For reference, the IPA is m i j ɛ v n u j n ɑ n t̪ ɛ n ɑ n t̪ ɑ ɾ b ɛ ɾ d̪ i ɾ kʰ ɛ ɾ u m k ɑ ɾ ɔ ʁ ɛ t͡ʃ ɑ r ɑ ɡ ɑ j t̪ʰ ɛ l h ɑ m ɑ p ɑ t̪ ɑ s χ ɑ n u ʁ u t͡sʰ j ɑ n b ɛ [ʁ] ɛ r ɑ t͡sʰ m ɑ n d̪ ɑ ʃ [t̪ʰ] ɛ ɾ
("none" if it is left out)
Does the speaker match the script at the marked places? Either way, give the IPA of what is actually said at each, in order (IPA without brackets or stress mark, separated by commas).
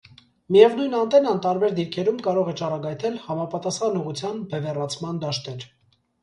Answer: v, t̪